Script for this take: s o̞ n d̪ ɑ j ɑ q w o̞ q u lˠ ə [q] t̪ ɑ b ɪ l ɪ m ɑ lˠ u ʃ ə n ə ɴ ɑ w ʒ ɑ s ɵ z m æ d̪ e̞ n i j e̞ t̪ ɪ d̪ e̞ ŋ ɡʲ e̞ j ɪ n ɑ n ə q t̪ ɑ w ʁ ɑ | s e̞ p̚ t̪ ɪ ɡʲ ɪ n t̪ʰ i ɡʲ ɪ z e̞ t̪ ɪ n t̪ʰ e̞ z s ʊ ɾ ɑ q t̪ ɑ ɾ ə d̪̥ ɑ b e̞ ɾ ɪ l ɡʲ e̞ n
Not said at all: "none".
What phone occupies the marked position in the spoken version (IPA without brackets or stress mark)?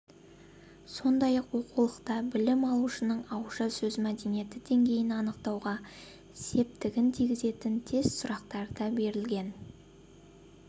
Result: q